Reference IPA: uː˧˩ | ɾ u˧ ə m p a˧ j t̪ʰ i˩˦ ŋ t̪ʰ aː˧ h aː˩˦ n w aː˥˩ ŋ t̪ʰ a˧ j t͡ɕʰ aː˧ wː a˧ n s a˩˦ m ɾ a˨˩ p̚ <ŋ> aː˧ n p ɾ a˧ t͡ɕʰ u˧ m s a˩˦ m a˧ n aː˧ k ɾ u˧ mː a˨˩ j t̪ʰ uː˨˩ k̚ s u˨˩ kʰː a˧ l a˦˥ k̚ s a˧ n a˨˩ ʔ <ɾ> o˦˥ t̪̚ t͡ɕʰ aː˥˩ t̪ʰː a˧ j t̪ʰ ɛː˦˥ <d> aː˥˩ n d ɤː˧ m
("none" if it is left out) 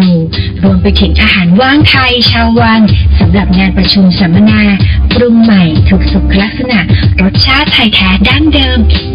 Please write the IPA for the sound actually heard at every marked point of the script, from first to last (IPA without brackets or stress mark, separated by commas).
ŋ, ɾ, d